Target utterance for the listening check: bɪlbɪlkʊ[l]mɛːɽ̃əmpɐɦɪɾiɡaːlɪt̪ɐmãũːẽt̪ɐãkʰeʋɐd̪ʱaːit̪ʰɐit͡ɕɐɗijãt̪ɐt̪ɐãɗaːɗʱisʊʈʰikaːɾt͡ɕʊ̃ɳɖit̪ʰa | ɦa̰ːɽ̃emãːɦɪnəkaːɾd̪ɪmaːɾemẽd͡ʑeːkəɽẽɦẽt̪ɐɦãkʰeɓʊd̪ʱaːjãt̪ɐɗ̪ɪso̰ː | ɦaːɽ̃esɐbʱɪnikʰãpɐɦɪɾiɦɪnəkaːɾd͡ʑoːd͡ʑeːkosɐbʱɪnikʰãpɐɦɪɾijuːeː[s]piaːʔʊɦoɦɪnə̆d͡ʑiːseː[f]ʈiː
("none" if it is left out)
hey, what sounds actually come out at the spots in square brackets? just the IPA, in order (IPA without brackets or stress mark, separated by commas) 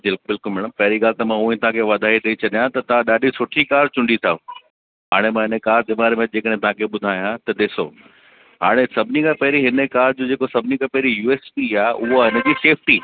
l, s, f